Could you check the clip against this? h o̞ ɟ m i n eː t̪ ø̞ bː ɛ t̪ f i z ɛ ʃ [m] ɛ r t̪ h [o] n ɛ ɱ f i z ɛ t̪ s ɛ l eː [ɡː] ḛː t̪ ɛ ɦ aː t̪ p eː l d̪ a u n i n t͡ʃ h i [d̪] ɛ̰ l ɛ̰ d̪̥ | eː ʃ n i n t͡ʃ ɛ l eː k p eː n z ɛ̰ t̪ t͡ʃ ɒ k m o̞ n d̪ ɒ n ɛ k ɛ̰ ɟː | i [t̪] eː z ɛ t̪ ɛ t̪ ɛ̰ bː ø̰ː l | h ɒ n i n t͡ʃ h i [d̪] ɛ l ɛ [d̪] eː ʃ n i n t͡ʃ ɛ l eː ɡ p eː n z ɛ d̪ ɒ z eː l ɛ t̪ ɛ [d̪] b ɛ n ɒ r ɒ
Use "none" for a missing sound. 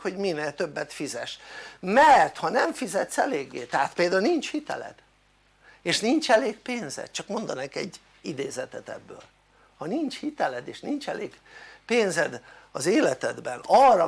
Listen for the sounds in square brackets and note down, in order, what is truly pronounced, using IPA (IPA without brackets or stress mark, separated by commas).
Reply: m, ɒ, ɡː, t̪, d̪, t̪, d̪, d̪